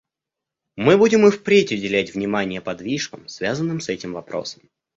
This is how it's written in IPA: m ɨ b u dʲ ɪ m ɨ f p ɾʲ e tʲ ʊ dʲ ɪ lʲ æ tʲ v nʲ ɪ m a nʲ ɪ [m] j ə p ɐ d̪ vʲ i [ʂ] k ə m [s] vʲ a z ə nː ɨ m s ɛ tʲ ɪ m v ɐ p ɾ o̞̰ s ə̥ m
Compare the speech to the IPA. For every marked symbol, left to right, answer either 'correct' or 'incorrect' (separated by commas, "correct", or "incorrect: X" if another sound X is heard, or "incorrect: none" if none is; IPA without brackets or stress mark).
incorrect: none, correct, correct